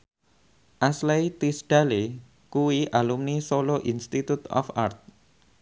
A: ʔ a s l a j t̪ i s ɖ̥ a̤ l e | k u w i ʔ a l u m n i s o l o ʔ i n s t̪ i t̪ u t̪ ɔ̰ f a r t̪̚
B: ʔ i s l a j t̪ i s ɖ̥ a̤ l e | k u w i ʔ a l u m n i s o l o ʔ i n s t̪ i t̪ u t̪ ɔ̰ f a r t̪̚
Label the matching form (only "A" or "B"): A